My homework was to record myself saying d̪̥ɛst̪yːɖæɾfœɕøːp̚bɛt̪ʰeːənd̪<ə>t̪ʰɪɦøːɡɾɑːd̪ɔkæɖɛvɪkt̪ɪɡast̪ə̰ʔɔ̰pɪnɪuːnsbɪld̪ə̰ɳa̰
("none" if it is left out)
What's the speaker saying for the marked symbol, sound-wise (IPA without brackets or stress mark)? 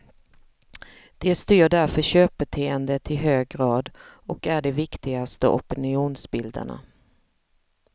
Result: ə